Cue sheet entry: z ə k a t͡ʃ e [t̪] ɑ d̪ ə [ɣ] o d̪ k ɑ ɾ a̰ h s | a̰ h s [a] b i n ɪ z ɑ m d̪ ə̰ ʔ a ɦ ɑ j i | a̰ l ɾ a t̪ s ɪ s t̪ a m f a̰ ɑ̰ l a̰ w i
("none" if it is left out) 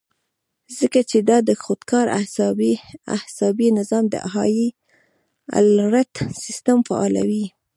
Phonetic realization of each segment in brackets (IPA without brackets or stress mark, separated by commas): d̪, x, ɑ